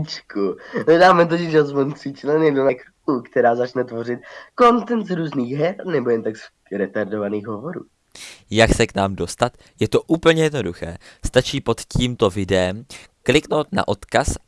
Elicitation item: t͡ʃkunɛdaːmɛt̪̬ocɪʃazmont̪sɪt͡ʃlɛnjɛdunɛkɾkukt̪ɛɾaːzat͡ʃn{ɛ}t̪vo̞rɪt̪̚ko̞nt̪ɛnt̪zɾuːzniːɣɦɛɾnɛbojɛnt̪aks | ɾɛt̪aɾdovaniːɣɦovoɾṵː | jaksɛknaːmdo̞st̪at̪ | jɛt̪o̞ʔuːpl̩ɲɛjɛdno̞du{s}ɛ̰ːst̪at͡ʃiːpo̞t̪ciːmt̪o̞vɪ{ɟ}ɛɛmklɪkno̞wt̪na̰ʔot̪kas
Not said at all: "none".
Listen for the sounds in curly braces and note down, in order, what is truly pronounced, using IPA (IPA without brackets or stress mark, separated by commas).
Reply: ɛ, x, d